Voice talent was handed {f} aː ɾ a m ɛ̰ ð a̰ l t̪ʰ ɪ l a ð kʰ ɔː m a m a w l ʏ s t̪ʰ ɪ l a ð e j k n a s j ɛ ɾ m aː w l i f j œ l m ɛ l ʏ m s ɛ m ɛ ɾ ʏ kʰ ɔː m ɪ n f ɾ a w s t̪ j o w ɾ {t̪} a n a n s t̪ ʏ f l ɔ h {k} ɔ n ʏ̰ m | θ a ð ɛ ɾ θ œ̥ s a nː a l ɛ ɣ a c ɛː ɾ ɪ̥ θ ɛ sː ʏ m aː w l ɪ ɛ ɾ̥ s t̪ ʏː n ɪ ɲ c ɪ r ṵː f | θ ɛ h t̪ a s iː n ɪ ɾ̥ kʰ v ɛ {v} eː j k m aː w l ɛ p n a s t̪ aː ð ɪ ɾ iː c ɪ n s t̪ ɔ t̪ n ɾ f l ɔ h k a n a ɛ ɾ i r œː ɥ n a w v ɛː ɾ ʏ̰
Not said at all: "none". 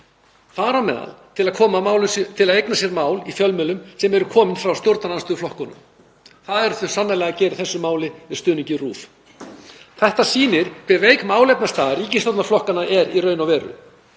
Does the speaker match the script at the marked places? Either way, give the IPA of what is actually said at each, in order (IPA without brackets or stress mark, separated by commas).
f, t̪, k, v